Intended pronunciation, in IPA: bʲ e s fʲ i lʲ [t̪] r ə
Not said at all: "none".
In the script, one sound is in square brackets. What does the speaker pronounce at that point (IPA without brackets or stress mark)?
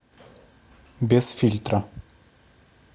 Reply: t̪